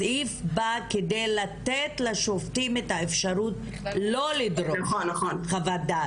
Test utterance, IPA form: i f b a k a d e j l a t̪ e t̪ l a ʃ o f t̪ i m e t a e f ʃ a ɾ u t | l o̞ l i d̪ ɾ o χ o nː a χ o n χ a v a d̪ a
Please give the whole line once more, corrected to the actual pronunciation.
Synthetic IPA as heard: i f b a k e d e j l a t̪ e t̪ l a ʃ o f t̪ i m e t a e f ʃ a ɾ u t | l o̞ l i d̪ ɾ o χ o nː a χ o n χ a v a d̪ a